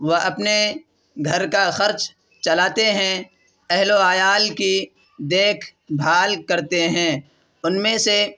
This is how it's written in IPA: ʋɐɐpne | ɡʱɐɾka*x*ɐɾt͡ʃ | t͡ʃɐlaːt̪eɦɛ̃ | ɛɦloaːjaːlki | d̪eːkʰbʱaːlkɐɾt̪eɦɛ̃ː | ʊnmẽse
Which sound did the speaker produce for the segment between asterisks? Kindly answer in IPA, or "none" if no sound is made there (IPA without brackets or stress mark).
x